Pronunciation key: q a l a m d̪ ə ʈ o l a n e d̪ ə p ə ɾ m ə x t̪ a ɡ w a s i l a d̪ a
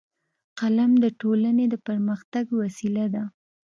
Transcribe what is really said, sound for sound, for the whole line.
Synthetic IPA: q a l a m d̪ ə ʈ o l a n e d̪ ə p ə ɾ m ə x t̪ a ɡ w a s i l a d̪ a